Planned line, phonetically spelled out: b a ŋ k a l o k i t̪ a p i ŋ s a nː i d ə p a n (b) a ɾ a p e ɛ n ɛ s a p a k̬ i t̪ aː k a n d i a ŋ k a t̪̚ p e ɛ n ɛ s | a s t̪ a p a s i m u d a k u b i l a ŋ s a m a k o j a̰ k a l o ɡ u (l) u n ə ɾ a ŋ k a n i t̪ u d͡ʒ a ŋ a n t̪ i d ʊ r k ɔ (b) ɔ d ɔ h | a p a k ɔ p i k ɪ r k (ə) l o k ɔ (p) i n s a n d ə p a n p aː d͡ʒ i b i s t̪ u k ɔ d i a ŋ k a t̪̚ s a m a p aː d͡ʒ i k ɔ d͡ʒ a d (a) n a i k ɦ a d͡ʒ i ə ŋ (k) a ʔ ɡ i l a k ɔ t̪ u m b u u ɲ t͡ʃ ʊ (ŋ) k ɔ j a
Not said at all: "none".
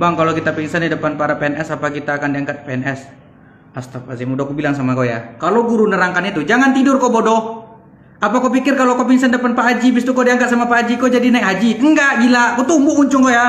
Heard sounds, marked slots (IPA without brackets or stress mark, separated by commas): p, ɾ, b, a, p, i, ɡ, ŋ